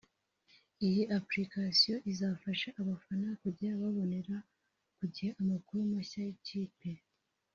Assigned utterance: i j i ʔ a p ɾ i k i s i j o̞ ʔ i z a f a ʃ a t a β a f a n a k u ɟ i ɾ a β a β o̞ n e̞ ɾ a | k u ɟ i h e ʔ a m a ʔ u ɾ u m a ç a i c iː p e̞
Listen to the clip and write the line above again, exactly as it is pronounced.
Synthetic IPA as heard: i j i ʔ a p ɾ i k a s i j o̞ ʔ i z a f a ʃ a ʔ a β a f a n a k u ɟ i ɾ a β a β o̞ n e̞ ɾ a | k u ɟ i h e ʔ a m a k u ɾ u m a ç a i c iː p e̞